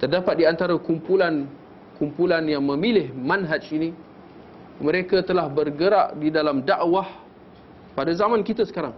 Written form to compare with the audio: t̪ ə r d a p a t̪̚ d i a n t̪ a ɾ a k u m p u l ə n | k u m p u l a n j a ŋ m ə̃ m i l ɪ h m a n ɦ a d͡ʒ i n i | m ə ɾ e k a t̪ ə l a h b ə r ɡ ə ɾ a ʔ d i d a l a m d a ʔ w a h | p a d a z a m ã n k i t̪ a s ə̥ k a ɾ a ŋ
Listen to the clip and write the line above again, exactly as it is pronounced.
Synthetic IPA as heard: t̪ ə r d a p a t̪̚ d i a n t̪ a ɾ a k u m p u l a n | k u m p u l a n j a ŋ m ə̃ m i l ɪ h m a n ɦ a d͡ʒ i n i | m ə ɾ e k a t̪ ə l a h b ə r ɡ ə ɾ a ʔ d i d a l a m d a ʔ w a h | p a d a z a m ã n k i t̪ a s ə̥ k a ɾ a ŋ